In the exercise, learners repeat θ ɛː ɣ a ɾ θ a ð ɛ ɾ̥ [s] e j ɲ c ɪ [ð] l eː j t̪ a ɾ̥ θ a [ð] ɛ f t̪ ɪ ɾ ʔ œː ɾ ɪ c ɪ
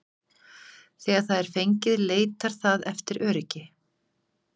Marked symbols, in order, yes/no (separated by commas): no, yes, yes